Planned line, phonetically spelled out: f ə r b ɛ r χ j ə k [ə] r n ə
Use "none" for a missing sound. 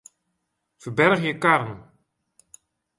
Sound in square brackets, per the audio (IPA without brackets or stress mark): a